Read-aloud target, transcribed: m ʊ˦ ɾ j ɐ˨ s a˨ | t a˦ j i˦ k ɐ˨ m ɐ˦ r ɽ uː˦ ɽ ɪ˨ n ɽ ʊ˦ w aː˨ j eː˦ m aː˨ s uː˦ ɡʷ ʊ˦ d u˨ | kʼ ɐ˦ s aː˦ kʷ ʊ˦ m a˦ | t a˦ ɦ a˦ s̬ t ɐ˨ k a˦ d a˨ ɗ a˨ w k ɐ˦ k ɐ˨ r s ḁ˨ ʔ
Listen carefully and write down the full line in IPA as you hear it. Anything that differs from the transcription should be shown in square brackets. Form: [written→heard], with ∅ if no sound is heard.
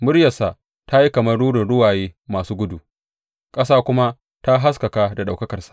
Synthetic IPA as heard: m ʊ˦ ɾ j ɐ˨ s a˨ | t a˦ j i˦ k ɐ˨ m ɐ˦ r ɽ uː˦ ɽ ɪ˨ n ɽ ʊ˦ w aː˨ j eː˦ m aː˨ s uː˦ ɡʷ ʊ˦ d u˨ | kʼ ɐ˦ s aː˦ kʷ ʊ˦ m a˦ | t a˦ ɦ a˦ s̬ [t→k] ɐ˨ k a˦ d a˨ ɗ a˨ w k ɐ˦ k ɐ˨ r s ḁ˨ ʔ